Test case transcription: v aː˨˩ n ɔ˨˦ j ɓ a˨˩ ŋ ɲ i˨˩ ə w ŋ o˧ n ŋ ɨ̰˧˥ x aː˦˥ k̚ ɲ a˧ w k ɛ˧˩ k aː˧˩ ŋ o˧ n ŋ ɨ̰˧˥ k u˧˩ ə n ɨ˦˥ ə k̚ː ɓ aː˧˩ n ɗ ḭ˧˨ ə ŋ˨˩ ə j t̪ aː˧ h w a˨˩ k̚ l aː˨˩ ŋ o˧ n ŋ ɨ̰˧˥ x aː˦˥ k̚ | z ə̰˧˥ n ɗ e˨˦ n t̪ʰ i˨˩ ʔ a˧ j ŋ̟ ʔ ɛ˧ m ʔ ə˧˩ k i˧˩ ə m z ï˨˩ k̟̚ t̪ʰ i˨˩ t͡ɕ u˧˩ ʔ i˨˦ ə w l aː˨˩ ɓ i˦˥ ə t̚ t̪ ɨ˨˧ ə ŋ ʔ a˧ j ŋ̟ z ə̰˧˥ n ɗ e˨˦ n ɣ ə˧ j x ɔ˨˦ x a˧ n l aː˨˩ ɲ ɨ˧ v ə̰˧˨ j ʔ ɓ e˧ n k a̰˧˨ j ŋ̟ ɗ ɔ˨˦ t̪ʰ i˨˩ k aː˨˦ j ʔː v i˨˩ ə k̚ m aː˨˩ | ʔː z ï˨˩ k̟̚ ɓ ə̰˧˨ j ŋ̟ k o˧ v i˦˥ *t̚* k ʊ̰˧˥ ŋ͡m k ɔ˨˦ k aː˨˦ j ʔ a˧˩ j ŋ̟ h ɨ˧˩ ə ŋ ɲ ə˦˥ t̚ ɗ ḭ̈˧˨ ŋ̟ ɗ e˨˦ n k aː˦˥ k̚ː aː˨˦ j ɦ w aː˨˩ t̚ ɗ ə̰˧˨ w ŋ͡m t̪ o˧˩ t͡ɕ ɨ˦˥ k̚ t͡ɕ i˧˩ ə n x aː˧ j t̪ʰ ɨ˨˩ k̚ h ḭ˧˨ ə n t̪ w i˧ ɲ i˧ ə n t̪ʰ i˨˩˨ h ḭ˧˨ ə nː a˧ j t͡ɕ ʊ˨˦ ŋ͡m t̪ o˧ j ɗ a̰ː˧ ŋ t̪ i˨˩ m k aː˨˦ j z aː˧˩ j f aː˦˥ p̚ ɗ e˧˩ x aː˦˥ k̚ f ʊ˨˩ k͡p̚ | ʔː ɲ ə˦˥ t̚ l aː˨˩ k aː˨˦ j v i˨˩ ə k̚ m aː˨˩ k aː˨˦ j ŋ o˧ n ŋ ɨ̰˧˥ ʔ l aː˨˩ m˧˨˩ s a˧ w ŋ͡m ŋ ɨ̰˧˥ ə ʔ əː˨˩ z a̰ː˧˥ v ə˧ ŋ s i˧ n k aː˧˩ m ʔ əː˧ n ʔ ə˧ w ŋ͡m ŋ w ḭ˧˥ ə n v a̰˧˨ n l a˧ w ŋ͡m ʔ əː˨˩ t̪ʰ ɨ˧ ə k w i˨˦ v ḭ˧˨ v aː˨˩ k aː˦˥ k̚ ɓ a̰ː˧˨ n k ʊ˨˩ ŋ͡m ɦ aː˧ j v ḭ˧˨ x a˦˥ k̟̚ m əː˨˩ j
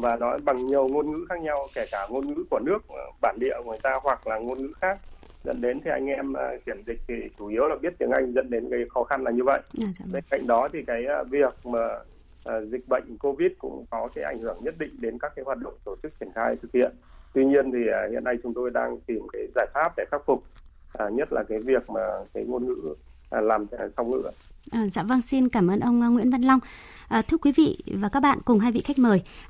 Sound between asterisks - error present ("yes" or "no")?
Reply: no